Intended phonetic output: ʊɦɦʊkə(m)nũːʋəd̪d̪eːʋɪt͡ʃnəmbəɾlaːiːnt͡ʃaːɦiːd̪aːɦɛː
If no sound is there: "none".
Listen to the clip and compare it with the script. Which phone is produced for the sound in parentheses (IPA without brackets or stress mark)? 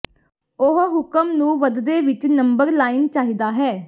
m